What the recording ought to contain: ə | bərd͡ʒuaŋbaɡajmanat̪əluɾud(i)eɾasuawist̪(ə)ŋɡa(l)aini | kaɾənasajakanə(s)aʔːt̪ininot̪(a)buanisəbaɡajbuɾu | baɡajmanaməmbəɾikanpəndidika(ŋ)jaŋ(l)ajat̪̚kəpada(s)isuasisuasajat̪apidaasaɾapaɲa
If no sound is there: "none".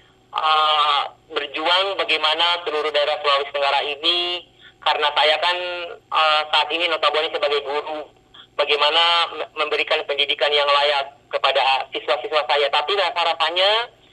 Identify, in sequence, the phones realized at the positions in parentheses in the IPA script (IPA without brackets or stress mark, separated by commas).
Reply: a, ə, ɾ, s, a, n, l, s